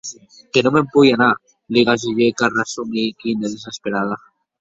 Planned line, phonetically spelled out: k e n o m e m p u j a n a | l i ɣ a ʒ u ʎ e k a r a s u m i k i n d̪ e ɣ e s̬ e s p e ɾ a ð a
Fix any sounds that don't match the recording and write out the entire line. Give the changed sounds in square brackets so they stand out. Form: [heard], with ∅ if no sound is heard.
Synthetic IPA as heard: k e n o m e m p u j a n a | l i ɣ a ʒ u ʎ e k a r a s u m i k i n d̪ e [ð] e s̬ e s p e ɾ a ð a